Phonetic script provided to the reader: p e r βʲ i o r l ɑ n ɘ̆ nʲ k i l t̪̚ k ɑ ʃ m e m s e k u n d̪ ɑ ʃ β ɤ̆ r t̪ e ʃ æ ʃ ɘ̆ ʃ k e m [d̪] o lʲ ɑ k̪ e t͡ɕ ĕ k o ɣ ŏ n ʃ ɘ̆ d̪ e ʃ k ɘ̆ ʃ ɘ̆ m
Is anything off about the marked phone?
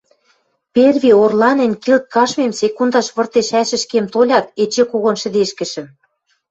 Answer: yes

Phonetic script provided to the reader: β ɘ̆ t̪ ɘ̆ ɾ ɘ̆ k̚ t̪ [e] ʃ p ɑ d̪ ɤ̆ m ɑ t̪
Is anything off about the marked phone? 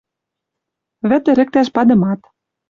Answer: yes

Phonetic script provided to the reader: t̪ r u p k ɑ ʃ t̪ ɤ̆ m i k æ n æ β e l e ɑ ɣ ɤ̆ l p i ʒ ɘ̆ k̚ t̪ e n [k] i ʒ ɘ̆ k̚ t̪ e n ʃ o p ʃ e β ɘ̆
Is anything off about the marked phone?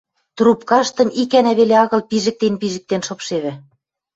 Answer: yes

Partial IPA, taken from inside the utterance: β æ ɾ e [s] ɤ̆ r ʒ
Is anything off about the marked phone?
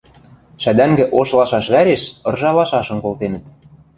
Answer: yes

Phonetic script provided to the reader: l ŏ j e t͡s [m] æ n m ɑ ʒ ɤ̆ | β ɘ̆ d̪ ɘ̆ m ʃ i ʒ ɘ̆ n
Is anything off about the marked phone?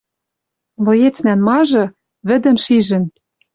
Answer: yes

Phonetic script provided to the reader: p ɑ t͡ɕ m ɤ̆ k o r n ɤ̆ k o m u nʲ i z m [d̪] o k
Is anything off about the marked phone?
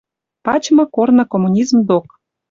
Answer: no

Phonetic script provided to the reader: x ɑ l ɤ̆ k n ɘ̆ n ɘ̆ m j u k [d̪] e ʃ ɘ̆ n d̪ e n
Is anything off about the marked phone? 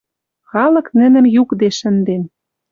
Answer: no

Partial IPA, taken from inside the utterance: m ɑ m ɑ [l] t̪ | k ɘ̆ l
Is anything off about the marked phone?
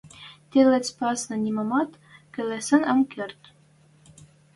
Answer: yes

